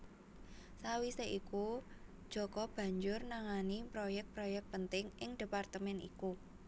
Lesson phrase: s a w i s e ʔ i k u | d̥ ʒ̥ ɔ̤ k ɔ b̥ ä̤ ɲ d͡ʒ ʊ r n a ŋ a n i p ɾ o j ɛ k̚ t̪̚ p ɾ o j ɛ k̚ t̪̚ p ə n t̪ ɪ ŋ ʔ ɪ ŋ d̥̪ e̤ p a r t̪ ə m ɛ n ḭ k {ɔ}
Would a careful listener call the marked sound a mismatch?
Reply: yes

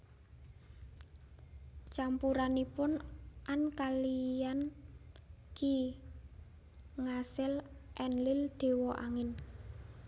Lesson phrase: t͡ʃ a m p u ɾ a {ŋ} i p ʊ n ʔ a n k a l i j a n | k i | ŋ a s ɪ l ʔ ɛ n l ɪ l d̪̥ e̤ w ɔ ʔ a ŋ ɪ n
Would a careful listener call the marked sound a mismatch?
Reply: yes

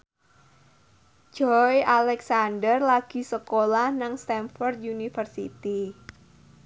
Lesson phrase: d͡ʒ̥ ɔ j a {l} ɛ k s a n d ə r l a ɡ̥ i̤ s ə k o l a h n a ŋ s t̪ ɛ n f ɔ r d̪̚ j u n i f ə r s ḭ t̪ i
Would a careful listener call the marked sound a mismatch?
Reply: no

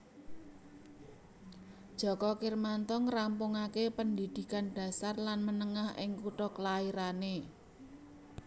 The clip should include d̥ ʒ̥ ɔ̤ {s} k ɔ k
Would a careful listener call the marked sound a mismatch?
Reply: yes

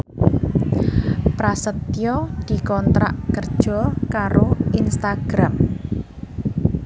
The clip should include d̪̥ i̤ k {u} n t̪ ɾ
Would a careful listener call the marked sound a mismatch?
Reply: yes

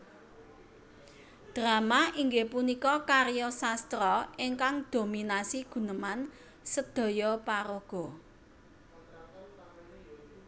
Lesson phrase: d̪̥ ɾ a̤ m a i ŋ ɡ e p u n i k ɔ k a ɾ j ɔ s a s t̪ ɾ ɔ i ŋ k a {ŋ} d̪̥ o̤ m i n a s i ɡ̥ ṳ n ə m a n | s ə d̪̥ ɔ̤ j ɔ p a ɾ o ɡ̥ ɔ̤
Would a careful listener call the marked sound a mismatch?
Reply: no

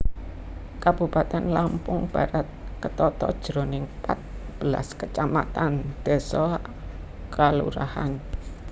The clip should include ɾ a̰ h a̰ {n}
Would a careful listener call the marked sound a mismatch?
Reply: no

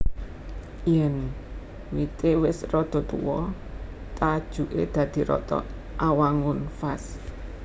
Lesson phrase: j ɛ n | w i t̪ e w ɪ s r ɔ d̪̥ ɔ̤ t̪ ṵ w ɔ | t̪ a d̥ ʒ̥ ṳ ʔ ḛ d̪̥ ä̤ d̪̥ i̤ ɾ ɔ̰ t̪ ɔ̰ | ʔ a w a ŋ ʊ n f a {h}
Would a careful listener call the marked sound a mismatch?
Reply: yes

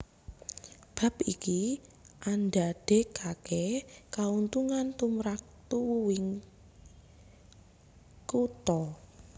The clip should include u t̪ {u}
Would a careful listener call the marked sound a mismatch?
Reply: yes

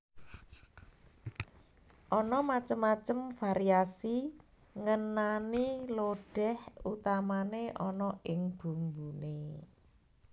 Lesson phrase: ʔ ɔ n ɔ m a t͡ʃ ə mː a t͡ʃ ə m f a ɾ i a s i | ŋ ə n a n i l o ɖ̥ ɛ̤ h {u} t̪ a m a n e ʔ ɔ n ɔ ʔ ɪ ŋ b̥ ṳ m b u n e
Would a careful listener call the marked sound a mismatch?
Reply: no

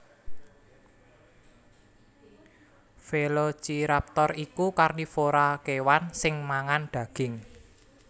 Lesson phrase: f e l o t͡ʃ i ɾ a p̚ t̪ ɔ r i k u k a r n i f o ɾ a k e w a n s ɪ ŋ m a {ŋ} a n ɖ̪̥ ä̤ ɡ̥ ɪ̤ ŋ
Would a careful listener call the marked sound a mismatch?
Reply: no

